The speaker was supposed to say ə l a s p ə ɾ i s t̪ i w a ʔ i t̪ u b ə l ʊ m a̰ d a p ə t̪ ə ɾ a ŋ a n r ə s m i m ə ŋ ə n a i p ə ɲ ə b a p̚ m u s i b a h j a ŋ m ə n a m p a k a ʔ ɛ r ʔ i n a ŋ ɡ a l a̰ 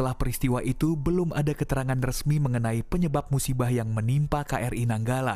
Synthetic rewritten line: ə l a h p ə ɾ i s t̪ i w a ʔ i t̪ u b ə l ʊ m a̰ d a k ə t̪ ə ɾ a ŋ a n r ə s m i m ə ŋ ə n a i p ə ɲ ə b a p̚ m u s i b a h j a ŋ m ə n i m p a k a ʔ ɛ r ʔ i n a ŋ ɡ a l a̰